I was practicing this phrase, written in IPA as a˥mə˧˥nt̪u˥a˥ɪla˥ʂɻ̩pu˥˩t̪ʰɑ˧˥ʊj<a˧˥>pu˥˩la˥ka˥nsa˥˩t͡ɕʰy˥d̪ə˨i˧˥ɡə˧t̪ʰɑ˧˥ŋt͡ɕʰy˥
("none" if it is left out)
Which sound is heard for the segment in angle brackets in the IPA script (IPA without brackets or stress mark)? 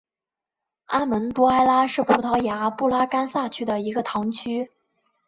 a˧˥